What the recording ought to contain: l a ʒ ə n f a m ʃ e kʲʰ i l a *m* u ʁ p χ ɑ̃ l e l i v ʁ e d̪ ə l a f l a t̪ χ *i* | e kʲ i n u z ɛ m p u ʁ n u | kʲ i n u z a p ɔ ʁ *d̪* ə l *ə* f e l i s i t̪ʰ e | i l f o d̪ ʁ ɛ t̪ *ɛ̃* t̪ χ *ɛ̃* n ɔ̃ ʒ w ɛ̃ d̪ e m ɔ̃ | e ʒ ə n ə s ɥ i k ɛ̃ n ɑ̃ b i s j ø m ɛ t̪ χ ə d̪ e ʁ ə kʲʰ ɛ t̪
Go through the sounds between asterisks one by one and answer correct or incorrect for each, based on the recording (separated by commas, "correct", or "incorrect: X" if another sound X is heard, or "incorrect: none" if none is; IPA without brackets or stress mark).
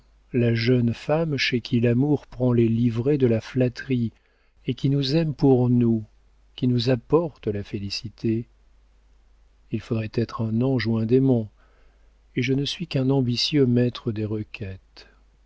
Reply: correct, correct, incorrect: t̪, incorrect: a, incorrect: ɛ, correct